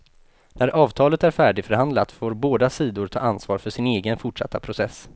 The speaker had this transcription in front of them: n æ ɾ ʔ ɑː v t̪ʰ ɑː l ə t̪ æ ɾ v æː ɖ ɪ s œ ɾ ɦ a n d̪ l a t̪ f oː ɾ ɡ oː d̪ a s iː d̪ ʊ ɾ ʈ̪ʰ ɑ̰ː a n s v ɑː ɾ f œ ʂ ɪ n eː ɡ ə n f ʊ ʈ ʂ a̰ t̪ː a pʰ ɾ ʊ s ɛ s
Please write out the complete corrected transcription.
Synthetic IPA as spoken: n æ ɾ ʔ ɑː v t̪ʰ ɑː l ə t̪ æ ɾ f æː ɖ ɪ f œ ɾ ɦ a n d̪ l a t̪ f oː ɾ b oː d̪ a s iː d̪ ʊ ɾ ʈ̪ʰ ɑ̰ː a n s v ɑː ɾ f œ ʂ ɪ n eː ɡ ə n f ʊ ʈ ʂ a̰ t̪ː a pʰ ɾ ʊ s ɛ s